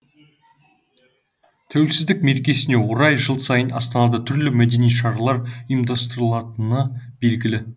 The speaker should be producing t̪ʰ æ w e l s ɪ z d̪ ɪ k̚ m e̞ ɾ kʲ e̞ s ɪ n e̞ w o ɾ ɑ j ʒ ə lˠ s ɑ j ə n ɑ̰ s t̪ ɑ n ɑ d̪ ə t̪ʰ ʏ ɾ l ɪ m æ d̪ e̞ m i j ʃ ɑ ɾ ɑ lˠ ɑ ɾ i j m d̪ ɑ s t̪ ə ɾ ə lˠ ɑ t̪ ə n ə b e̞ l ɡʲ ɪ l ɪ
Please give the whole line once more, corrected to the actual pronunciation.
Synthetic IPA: t̪ʰ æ w e l s ɪ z d̪ ɪ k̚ m e̞ ɾ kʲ e̞ s ɪ n e̞ w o ɾ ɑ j ʒ ə lˠ s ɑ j ə n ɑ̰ s t̪ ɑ n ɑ d̪ ə t̪ʰ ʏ ɾ l ɪ m æ d̪ e̞ n i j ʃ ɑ ɾ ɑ lˠ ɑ ɾ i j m d̪ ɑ s t̪ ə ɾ ə lˠ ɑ t̪ ə n ə b e̞ l ɡʲ ɪ l ɪ